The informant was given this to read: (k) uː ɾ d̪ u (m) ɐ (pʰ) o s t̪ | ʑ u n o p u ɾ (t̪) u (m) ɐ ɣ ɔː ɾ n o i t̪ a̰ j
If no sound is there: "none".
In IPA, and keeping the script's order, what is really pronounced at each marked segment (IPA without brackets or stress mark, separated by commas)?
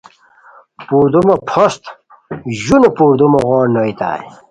p, m, pʰ, d̪, m